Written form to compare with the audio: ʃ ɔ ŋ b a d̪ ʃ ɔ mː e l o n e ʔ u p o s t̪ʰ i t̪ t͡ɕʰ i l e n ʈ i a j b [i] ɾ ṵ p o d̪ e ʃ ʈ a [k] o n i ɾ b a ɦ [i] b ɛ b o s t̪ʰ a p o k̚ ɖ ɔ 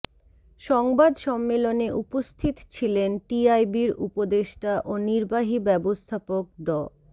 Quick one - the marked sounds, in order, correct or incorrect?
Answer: correct, incorrect: ʔ, correct

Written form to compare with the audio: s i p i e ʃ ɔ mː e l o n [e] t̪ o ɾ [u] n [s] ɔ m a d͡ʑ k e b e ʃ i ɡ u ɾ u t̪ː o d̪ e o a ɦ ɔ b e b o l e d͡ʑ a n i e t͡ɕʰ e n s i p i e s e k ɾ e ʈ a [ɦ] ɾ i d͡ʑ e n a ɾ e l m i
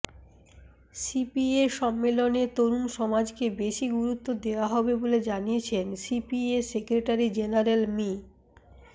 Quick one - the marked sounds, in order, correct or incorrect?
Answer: correct, correct, incorrect: ʃ, incorrect: none

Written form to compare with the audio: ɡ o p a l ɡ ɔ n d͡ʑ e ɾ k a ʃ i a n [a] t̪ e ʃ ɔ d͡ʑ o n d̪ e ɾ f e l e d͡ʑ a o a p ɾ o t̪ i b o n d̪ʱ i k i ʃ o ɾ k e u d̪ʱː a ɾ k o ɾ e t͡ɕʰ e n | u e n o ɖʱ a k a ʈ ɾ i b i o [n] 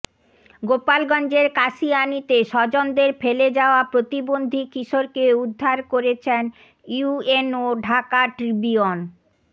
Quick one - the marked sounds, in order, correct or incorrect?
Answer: incorrect: i, correct

